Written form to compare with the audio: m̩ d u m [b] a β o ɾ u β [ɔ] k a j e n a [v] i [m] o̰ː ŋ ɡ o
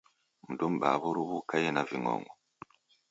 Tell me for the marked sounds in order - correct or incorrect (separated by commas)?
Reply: correct, incorrect, correct, incorrect